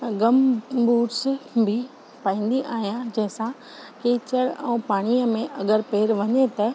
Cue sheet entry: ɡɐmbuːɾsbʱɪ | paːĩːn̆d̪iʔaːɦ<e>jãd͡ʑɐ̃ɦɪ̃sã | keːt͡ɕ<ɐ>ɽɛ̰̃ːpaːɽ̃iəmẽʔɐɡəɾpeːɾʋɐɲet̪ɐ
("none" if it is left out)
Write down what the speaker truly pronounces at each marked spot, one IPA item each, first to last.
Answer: i, ə

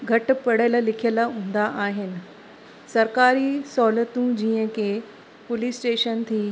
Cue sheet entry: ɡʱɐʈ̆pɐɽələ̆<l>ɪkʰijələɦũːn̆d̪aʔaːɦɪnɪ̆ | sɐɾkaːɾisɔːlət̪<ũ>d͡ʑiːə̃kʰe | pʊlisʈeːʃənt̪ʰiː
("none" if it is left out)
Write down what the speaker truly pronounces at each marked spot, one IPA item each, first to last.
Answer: l, ũ

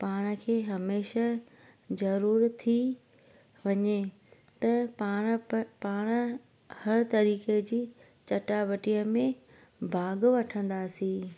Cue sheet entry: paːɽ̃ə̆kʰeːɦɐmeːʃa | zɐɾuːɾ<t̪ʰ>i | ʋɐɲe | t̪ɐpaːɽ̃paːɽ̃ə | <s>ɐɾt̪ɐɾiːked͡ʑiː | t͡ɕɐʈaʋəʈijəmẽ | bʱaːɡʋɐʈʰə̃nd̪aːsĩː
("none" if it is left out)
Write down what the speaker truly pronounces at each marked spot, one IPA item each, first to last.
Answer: t̪ʰ, h

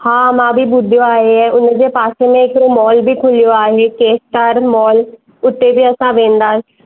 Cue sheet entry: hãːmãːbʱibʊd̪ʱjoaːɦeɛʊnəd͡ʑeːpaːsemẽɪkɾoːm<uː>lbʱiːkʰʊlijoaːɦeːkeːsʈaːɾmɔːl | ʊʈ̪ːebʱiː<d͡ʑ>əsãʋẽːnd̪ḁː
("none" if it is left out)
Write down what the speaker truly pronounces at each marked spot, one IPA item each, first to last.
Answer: ɔː, none

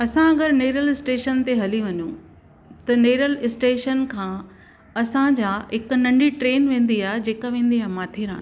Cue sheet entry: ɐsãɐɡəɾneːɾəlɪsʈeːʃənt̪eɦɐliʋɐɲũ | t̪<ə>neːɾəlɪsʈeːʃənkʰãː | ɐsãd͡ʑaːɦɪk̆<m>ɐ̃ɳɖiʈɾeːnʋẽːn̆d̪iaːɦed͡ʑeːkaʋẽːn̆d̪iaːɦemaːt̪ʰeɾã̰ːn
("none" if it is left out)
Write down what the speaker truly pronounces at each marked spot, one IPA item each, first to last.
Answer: ɐ, n

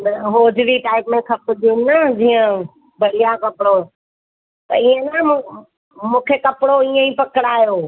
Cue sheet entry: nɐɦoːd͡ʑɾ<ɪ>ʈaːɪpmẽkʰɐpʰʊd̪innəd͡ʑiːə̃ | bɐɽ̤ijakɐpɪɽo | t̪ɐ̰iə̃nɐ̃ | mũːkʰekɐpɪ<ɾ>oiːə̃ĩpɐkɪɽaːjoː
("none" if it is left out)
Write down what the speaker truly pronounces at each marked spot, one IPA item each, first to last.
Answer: i, ɽ

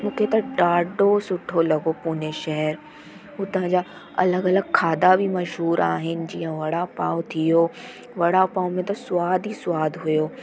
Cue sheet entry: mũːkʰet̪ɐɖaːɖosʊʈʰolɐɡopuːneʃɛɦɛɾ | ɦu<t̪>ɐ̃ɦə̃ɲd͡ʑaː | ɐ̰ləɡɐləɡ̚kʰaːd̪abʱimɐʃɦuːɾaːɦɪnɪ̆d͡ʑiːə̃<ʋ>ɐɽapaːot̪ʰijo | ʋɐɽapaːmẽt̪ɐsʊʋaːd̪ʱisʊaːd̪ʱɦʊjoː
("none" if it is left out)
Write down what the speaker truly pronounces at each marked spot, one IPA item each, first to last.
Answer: t̪, ʋ

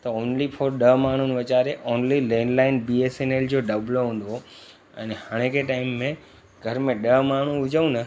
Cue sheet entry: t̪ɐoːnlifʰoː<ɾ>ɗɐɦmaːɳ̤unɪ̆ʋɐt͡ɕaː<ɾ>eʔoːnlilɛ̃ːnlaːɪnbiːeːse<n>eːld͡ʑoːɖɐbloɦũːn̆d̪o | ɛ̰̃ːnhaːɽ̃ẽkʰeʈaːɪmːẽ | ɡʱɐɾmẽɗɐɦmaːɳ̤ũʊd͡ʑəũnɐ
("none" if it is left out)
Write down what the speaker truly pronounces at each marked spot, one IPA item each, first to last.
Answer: ɾ, ɾ, n

